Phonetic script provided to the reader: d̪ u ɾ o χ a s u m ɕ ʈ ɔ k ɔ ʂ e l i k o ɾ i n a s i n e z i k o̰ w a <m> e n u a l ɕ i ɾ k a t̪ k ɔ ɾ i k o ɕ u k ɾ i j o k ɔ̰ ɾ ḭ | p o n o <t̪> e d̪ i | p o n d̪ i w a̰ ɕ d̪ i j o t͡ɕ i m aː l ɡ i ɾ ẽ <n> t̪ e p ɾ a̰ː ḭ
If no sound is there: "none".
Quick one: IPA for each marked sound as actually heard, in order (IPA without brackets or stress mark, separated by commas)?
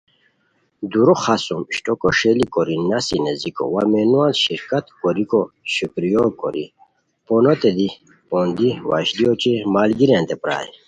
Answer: m, t̪, n